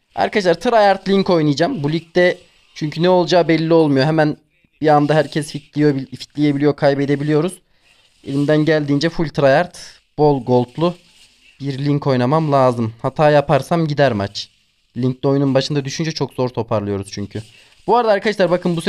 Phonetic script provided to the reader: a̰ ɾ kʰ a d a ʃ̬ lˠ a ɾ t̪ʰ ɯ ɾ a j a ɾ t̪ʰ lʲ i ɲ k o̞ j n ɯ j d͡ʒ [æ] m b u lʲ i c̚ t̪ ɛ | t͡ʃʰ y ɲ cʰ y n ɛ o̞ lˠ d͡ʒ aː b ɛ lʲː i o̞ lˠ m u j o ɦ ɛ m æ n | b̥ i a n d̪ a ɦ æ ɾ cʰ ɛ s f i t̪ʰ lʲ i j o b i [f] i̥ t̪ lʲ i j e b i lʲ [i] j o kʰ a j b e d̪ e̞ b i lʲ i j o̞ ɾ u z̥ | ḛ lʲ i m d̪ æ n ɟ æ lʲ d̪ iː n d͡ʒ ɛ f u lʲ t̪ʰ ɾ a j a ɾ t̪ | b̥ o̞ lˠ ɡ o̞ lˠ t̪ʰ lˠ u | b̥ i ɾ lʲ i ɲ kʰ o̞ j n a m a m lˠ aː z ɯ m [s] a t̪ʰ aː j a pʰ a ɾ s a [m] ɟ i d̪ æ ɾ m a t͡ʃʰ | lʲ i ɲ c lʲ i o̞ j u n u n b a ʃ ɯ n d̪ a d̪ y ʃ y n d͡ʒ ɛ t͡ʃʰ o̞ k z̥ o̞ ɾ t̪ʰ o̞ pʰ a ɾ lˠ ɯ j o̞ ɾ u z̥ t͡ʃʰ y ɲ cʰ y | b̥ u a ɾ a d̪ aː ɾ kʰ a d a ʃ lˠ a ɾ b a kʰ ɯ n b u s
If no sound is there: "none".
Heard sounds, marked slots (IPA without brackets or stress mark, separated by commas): a, f, i, h, m